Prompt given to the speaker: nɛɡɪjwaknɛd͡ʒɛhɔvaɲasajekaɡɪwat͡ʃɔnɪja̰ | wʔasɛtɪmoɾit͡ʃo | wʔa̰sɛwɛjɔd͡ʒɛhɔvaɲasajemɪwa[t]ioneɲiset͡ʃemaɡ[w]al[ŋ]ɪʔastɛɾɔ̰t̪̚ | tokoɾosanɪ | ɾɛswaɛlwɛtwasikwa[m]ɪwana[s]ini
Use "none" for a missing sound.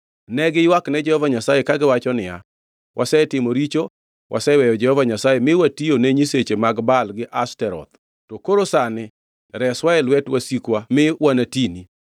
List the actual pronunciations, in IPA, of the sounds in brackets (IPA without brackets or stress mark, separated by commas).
t, b, ɡ, m, t